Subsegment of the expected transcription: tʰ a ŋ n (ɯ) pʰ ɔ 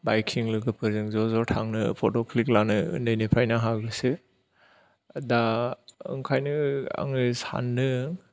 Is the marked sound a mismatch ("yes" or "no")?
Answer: no